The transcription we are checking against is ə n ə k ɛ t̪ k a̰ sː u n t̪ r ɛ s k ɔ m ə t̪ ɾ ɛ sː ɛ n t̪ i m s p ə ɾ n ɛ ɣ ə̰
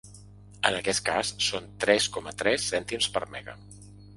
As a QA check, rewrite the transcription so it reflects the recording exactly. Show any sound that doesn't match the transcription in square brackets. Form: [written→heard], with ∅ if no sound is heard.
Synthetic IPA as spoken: ə n ə k ɛ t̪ k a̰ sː [u→o] n t̪ [r→ɾ] ɛ s k ɔ m ə t̪ ɾ ɛ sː ɛ n t̪ i m s p ə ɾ [n→m] ɛ ɣ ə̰